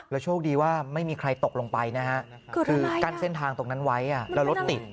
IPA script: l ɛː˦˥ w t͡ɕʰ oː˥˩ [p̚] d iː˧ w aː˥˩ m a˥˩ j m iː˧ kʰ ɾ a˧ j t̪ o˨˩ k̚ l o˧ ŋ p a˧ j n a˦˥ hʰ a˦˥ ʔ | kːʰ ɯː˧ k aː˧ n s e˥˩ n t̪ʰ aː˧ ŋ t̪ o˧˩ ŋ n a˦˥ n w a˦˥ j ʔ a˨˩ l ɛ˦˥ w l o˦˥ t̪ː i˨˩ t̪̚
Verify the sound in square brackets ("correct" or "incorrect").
incorrect